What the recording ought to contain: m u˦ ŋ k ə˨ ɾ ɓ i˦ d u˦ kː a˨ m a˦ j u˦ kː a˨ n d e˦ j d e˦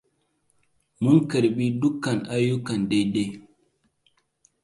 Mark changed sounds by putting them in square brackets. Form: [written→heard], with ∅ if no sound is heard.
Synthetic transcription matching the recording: m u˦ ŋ k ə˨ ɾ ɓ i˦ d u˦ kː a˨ [m→n] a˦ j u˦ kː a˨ n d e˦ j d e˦